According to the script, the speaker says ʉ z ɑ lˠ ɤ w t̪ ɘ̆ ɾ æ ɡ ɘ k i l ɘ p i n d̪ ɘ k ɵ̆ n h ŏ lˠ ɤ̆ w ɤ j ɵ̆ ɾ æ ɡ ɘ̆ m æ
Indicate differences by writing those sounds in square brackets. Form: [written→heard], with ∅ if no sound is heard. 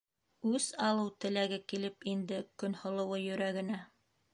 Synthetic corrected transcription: ʉ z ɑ lˠ ɤ w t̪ ɘ̆ [ɾ→l] æ ɡ ɘ k i l ɘ p i n d̪ ɘ k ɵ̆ n h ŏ lˠ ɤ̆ w ɤ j ɵ̆ ɾ æ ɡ ɘ̆ [m→n] æ

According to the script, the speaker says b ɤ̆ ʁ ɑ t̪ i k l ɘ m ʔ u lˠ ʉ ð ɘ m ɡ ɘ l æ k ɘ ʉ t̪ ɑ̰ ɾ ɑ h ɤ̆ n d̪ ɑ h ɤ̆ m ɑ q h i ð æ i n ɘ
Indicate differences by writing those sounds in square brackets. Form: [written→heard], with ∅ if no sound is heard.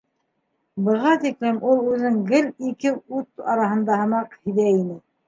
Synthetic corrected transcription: b ɤ̆ ʁ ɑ t̪ i k l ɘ m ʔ u lˠ ʉ ð ɘ [m→ŋ] ɡ ɘ l [æ→i] k ɘ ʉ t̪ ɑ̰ ɾ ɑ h ɤ̆ n d̪ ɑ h ɤ̆ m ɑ q h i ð æ i n ɘ

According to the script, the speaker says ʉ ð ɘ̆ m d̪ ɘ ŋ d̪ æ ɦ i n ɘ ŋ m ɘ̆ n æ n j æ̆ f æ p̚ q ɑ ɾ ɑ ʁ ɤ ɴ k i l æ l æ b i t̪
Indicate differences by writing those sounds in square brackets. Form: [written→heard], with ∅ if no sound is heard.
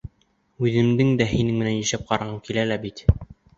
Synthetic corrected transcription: ʉ ð ɘ̆ m d̪ ɘ ŋ d̪ æ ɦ i n ɘ ŋ m ɘ̆ n æ n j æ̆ [f→ʃ] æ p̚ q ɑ ɾ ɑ ʁ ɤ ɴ k i l æ l æ b i t̪

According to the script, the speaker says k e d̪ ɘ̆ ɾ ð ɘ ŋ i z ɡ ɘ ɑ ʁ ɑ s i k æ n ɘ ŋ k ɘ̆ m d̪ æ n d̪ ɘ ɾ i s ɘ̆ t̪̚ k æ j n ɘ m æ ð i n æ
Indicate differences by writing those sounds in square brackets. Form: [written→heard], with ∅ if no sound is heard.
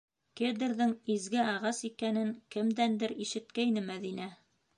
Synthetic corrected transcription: k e d̪ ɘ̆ ɾ ð ɘ ŋ i z ɡ ɘ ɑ ʁ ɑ s i k æ n ɘ ŋ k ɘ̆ m d̪ æ n d̪ ɘ ɾ i [s→ʃ] ɘ̆ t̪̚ k æ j n ɘ m æ ð i n æ

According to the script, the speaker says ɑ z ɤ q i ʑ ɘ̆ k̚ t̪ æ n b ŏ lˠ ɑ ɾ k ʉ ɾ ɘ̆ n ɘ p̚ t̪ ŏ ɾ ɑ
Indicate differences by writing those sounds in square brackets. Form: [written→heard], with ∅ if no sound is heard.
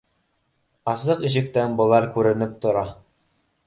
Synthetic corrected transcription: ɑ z ɤ q i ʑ ɘ̆ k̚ t̪ æ n b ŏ lˠ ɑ ɾ k ʉ ɾ ɘ̆ n ɘ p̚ t̪ ŏ ɾ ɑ

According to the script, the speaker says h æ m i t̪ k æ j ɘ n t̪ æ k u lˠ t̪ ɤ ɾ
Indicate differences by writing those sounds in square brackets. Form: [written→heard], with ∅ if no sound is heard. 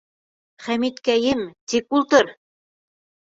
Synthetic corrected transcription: [h→χ] æ m i t̪ k æ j ɘ [n→m] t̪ [æ→i] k u lˠ t̪ ɤ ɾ

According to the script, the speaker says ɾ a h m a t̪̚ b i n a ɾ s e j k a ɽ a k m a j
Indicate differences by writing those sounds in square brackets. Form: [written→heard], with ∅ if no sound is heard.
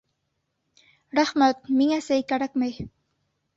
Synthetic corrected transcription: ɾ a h m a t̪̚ [b→m] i [n→ŋ] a [ɾ→∅] s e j k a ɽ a k m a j

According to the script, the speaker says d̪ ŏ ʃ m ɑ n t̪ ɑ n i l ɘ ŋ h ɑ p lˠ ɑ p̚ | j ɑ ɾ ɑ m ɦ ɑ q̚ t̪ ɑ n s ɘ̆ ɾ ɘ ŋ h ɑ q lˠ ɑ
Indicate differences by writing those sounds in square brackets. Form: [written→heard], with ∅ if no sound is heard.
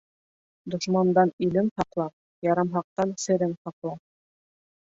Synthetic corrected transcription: d̪ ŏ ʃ m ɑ n [t̪→d̪] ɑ n i l ɘ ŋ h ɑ [p→q] lˠ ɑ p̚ | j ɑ ɾ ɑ m ɦ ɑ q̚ t̪ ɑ n s ɘ̆ ɾ ɘ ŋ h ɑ q lˠ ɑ

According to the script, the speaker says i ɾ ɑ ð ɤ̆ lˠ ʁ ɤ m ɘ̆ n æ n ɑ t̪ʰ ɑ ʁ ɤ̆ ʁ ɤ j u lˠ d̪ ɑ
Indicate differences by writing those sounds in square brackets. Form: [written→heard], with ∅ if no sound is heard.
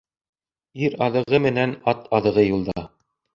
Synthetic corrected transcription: i ɾ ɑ ð ɤ̆ [lˠ→∅] ʁ ɤ m ɘ̆ n æ n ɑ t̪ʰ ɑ [ʁ→ð] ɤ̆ ʁ ɤ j u lˠ d̪ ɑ

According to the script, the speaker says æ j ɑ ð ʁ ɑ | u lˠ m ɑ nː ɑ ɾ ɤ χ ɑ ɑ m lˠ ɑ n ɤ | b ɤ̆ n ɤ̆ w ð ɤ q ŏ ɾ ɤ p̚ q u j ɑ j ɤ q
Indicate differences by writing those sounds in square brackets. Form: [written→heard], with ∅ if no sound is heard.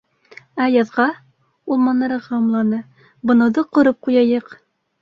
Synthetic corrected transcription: æ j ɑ ð ʁ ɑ | u lˠ m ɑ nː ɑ ɾ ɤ [χ→ʁ] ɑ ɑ m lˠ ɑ n ɤ | b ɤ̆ n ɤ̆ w ð ɤ q ŏ ɾ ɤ p̚ q u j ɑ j ɤ q

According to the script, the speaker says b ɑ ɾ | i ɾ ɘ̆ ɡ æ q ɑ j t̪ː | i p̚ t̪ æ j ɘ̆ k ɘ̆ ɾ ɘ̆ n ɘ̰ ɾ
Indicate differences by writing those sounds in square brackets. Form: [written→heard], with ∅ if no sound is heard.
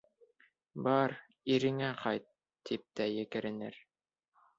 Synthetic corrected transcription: b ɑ ɾ | i ɾ ɘ̆ [ɡ→ŋ] æ q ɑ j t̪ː | i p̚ t̪ æ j ɘ̆ k ɘ̆ ɾ ɘ̆ n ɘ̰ ɾ

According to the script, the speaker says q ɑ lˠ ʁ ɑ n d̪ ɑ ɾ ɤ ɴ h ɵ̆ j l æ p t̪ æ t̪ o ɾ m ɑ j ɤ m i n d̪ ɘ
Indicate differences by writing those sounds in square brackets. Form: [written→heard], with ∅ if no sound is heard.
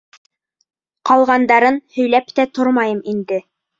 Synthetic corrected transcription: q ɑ lˠ ʁ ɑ n d̪ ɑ ɾ ɤ [ɴ→n] h ɵ̆ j l æ p t̪ æ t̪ o ɾ m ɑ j ɤ m i n d̪ ɘ

